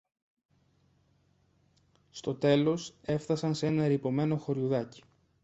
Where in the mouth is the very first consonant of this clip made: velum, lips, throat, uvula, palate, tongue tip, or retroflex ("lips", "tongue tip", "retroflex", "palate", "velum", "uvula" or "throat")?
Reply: tongue tip